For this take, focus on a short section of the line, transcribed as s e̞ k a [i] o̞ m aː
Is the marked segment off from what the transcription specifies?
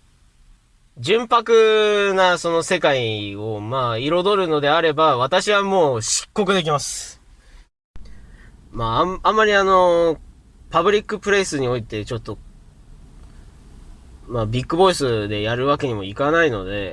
no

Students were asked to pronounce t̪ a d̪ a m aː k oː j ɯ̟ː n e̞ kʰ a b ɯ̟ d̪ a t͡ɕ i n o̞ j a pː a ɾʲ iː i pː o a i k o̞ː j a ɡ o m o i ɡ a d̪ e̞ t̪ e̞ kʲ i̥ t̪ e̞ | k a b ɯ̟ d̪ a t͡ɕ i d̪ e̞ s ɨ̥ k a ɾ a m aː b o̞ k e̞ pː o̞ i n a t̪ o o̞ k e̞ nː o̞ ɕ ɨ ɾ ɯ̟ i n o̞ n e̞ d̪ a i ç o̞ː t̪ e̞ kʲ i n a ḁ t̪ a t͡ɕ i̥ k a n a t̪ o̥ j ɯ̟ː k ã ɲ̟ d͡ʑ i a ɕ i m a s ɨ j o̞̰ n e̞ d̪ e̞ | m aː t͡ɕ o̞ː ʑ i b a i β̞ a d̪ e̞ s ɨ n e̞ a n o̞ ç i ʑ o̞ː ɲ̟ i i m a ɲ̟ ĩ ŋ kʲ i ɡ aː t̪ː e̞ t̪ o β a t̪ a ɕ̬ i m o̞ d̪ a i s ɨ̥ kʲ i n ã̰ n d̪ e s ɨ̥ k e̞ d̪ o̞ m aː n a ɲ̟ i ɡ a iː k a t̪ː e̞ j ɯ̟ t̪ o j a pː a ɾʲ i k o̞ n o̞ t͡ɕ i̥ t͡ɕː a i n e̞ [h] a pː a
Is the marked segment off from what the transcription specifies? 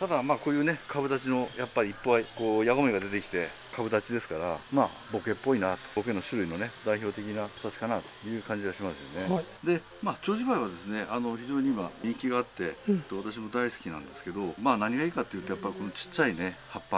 no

